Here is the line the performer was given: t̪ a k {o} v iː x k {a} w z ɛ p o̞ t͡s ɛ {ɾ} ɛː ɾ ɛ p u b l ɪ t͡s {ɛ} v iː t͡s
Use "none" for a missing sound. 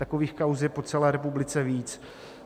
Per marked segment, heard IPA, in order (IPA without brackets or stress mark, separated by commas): o, a, l, ɛ